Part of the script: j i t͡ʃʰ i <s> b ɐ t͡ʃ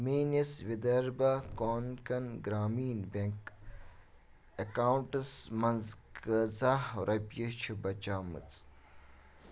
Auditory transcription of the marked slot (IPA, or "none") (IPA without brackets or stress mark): none